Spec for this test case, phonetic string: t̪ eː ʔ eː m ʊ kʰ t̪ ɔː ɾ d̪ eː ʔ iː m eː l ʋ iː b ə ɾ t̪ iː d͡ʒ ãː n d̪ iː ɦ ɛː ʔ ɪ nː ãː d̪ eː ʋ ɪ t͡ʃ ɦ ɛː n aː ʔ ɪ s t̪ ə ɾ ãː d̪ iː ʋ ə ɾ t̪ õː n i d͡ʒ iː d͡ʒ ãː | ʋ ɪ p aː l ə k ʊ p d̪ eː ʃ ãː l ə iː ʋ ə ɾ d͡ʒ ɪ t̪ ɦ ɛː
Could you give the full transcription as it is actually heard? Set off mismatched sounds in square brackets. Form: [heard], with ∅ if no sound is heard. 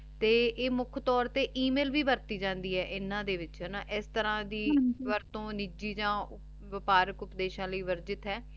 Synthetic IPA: t̪ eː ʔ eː m ʊ kʰ t̪ ɔː ɾ [t̪] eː ʔ iː m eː l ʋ iː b ə ɾ t̪ iː d͡ʒ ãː n d̪ iː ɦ ɛː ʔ ɪ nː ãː d̪ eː ʋ ɪ t͡ʃ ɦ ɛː n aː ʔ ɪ s t̪ ə ɾ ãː d̪ iː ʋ ə ɾ t̪ õː n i d͡ʒ iː d͡ʒ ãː | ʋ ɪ p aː [ɾ] ə k ʊ p d̪ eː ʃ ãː l ə iː ʋ ə ɾ d͡ʒ ɪ t̪ ɦ ɛː

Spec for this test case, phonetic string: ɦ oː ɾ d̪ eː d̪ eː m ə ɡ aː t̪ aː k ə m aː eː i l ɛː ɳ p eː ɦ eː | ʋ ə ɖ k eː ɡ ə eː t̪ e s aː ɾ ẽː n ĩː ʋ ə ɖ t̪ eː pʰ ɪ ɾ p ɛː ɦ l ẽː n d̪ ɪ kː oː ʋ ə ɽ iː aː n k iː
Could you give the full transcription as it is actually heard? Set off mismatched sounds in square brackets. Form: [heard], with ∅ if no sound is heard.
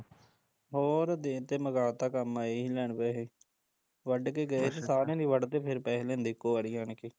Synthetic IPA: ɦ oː ɾ d̪ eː [t̪] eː m ə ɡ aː t̪ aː k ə m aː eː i l ɛː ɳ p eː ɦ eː | ʋ ə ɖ k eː ɡ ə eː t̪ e s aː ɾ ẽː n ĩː ʋ ə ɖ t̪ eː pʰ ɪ ɾ p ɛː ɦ l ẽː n d̪ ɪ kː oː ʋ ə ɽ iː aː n k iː

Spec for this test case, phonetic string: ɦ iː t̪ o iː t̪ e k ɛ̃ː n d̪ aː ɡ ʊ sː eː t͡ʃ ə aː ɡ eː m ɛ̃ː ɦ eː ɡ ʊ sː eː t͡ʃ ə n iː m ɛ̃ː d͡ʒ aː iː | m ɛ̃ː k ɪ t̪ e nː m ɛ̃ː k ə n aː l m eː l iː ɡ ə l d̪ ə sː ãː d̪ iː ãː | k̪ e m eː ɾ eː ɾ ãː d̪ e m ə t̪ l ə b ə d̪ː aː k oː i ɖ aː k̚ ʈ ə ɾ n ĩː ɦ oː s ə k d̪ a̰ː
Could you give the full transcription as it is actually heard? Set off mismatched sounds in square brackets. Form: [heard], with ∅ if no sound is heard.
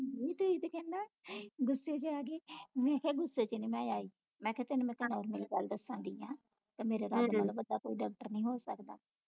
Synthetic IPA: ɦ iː t̪ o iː t̪ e k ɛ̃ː n d̪ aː ɡ ʊ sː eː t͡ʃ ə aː ɡ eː m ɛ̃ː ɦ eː ɡ ʊ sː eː t͡ʃ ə n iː m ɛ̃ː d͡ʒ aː iː | m ɛ̃ː k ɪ t̪ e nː m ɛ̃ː k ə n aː [ɾ] m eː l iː ɡ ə l d̪ ə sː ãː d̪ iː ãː | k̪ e m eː ɾ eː ɾ [aː] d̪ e m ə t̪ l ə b ə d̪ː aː k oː i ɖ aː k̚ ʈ ə ɾ n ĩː ɦ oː s ə k d̪ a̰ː

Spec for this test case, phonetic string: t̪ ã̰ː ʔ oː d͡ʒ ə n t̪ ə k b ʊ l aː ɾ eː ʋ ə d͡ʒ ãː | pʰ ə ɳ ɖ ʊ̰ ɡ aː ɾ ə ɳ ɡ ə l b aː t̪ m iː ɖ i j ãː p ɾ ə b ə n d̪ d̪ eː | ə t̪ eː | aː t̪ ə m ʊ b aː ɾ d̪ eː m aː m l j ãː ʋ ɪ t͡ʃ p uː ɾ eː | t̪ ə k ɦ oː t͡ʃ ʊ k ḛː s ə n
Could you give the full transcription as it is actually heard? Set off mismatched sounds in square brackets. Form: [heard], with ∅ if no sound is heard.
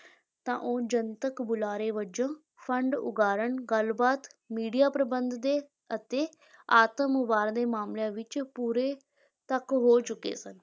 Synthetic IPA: t̪ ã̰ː ʔ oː d͡ʒ ə n t̪ ə k b ʊ l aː ɾ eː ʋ ə d͡ʒ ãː | pʰ ə ɳ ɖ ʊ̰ ɡ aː ɾ ə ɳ ɡ ə l b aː t̪ m iː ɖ i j [aː] p ɾ ə b ə n d̪ d̪ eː | ə t̪ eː | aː t̪ ə m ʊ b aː ɾ d̪ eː m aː m l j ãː ʋ ɪ t͡ʃ p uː ɾ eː | t̪ ə k ɦ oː t͡ʃ ʊ k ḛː s ə n

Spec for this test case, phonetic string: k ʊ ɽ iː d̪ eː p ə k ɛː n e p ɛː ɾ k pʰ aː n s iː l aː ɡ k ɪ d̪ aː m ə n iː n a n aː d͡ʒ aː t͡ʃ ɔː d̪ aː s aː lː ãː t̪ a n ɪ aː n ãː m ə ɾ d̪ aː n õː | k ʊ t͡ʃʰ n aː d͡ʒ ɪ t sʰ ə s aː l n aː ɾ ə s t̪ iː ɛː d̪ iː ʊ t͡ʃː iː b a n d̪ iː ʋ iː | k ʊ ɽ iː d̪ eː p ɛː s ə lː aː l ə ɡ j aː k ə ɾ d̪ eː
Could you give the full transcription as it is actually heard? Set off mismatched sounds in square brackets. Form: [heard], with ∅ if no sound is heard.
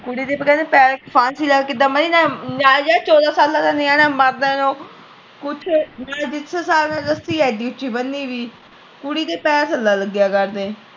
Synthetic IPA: k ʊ ɽ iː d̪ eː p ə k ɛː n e p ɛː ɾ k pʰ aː n s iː l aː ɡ k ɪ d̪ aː m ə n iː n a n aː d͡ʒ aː t͡ʃ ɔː d̪ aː s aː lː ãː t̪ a n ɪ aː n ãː m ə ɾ d̪ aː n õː | k ʊ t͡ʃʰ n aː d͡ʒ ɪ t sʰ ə s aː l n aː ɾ ə s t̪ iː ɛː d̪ iː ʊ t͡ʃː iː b [ə] n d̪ iː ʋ iː | k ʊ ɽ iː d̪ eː p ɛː s ə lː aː l ə ɡ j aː k ə ɾ d̪ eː

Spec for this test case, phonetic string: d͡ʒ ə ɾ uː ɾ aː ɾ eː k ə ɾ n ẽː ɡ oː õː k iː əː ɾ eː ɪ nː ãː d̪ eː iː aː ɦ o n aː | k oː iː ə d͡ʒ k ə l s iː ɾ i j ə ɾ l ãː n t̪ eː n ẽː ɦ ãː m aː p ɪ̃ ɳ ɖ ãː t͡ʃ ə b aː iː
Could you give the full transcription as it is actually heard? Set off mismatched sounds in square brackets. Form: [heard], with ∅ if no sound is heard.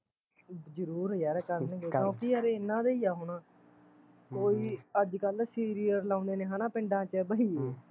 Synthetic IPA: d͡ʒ ə ɾ uː ɾ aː ɾ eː k ə ɾ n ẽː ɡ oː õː k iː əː ɾ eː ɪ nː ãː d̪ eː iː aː ɦ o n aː | k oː iː ə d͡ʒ k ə l s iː ɾ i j ə ɾ l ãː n [d̪] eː n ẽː ɦ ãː [n] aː p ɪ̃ ɳ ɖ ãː t͡ʃ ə b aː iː

